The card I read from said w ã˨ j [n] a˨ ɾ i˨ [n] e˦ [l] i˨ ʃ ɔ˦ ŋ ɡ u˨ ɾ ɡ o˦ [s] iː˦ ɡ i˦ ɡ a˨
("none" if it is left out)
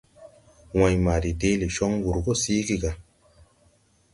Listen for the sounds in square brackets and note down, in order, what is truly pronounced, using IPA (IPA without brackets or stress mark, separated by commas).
m, d, l, s